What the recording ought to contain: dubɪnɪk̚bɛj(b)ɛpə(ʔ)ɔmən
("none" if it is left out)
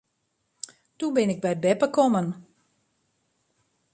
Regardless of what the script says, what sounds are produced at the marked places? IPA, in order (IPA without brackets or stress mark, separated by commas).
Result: b, k